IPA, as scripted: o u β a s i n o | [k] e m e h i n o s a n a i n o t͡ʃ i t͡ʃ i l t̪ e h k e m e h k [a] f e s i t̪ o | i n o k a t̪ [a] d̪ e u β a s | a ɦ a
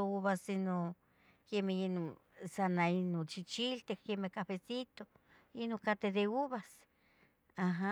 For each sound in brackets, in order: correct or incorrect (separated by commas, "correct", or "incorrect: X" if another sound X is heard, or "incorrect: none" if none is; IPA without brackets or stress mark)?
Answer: correct, correct, incorrect: e